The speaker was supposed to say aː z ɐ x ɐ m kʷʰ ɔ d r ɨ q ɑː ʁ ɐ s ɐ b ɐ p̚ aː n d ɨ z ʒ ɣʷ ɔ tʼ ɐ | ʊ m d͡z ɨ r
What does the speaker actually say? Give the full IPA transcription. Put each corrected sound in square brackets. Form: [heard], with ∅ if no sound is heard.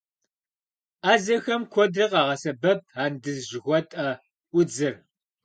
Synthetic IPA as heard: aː z ɐ x ɐ m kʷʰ ɔ d r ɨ q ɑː ʁ ɐ s ɐ b ɐ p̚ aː n d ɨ z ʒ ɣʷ ɔ tʼ ɐ | ʊ [∅] d͡z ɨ r